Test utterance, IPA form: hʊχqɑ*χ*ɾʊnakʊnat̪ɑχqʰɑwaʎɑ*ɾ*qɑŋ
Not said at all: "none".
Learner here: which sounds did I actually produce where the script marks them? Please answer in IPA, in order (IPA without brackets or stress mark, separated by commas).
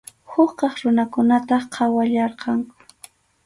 χ, ɾ